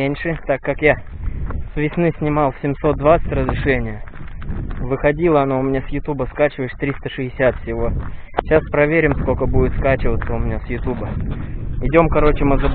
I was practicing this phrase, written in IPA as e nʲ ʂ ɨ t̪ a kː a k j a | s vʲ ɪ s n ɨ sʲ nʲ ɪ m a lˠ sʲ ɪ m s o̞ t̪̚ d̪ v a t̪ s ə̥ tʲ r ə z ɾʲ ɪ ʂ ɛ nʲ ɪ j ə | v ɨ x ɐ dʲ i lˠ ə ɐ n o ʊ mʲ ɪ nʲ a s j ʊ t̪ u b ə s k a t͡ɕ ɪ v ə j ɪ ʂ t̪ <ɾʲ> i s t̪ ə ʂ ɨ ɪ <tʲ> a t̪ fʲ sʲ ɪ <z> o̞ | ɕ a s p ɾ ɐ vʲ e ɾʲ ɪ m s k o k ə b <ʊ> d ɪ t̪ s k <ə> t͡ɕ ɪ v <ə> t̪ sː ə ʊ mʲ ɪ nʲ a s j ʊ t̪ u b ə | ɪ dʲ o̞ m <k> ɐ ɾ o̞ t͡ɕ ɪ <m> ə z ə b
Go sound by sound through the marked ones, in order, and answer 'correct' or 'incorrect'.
correct, incorrect: sʲ, incorrect: v, incorrect: u, incorrect: a, correct, correct, correct

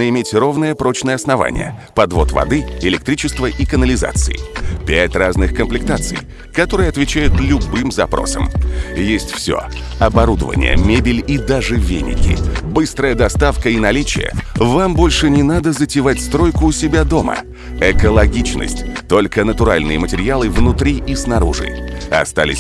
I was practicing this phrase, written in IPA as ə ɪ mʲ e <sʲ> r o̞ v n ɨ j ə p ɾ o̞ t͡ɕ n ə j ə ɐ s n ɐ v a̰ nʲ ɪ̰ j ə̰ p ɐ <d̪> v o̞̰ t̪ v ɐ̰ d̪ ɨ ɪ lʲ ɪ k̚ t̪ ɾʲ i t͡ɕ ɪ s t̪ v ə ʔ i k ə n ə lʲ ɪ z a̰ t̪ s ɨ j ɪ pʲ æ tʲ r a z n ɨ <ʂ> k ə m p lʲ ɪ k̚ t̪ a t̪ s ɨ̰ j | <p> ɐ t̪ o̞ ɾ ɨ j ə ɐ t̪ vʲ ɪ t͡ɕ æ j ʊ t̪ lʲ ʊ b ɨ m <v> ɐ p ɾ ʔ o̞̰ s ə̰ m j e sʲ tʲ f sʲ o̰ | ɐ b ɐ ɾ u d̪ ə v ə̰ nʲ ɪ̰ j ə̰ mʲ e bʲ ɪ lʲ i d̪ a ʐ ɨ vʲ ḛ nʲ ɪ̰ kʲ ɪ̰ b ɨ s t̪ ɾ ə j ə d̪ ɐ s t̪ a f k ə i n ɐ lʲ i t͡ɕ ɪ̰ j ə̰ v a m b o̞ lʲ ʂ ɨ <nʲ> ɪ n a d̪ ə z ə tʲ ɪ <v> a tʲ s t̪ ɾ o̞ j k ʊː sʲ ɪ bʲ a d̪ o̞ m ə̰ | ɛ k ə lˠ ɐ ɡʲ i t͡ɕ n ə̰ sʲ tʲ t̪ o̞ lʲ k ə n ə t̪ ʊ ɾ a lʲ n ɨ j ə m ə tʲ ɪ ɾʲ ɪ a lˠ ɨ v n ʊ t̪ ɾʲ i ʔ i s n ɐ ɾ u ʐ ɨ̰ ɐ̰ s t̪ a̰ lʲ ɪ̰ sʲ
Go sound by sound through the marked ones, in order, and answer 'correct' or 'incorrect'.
incorrect: tʲ, correct, incorrect: x, incorrect: k, incorrect: z, correct, correct

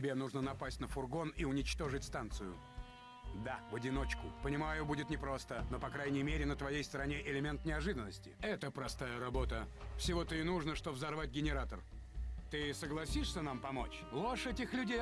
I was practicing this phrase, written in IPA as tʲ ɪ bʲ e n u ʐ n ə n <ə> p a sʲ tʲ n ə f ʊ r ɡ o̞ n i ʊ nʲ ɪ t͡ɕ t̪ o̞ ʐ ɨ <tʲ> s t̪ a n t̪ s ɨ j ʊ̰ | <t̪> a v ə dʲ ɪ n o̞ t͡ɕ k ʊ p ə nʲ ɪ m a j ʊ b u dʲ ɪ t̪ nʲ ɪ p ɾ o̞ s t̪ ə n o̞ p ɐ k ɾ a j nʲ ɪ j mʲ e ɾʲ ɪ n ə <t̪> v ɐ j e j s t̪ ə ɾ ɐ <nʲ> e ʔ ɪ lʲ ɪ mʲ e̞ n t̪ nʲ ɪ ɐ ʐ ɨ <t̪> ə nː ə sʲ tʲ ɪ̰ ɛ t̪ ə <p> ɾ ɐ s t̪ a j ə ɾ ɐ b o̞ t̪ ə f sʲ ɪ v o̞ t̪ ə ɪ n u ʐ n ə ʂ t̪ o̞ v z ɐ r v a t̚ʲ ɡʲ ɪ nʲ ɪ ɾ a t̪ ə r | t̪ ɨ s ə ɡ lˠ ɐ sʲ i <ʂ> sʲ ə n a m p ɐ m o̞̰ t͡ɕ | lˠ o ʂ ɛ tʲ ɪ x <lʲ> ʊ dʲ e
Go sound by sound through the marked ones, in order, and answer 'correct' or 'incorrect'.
incorrect: ɐ, correct, incorrect: d̪, correct, correct, incorrect: d̪, correct, correct, correct

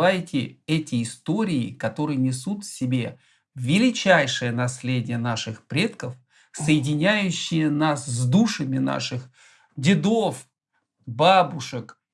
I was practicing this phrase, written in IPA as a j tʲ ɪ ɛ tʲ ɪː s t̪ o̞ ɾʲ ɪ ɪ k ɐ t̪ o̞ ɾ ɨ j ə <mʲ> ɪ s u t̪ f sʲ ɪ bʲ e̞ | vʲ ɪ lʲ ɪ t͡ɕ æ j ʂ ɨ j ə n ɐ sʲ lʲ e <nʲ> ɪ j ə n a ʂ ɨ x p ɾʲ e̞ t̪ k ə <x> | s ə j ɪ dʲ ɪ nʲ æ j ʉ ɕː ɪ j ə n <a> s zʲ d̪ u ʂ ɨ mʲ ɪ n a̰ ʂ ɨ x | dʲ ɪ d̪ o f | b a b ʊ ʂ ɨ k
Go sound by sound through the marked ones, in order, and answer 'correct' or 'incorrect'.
incorrect: nʲ, incorrect: dʲ, incorrect: f, correct

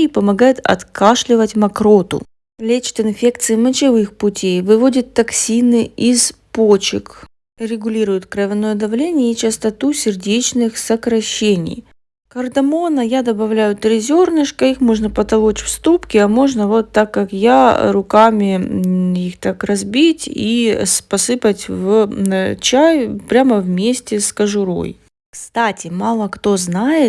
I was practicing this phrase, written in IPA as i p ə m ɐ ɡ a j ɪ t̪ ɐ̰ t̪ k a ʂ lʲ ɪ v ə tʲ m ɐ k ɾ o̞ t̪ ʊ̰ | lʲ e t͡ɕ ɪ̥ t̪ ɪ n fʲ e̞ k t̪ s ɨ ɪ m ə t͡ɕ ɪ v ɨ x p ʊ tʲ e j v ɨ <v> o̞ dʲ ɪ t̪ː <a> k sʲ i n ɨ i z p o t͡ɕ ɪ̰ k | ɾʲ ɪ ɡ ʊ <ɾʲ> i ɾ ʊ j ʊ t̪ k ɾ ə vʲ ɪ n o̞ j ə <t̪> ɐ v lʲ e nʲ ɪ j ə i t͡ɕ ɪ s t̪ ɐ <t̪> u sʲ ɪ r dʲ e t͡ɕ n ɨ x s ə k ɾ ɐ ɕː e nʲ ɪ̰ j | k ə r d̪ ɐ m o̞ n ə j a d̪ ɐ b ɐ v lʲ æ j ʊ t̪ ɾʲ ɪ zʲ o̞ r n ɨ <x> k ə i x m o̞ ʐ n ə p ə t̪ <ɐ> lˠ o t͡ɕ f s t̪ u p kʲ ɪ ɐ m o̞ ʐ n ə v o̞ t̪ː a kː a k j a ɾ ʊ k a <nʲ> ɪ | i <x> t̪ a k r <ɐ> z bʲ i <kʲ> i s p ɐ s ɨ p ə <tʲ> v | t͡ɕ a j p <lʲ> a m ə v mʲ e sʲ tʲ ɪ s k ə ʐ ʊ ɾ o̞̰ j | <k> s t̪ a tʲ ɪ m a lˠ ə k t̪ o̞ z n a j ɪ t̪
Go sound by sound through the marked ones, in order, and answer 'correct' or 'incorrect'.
correct, incorrect: ɐ, incorrect: lʲ, incorrect: d̪, correct, incorrect: ʂ, correct, incorrect: mʲ, correct, correct, incorrect: tʲ, correct, incorrect: ɾʲ, correct

